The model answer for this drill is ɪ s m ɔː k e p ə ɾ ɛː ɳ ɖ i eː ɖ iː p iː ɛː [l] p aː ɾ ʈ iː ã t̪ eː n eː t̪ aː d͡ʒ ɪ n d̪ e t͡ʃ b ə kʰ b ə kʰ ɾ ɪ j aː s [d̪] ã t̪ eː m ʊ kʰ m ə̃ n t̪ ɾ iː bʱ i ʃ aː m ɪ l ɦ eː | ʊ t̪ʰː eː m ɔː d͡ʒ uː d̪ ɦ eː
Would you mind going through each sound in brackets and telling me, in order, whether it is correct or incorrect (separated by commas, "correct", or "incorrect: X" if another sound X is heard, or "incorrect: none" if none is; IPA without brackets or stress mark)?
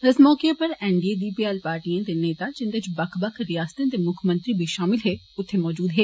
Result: correct, incorrect: t̪